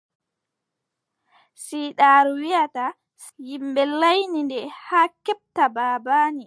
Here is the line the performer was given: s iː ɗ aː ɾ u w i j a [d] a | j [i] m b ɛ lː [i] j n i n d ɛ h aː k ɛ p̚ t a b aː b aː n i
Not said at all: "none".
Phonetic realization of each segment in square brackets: t, i, a

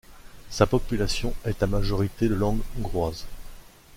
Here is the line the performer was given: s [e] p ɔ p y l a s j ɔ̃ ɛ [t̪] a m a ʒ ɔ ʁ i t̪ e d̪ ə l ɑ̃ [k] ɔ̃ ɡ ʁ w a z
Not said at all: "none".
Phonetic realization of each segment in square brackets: a, t̪, ɡ

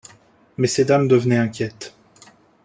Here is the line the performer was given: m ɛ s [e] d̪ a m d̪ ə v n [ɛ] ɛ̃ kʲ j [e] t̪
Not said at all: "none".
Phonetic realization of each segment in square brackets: e, ɛ, ɛ

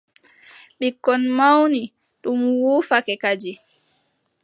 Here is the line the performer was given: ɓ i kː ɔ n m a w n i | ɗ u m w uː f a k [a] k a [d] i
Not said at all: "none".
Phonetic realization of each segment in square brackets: ɛ, d͡ʒ

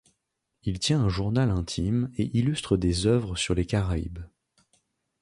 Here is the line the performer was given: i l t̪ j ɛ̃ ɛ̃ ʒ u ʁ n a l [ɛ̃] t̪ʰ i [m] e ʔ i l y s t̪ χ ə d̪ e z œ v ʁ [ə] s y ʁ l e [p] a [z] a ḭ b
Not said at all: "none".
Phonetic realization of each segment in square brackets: ɛ̃, m, ə, k, ʁ

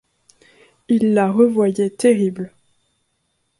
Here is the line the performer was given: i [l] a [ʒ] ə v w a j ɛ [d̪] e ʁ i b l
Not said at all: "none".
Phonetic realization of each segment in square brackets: lː, ʁ, t̪

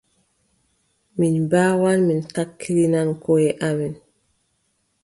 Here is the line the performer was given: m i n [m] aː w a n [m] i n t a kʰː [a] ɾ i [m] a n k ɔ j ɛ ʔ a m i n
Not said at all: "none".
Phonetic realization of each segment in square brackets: b, m, i, n

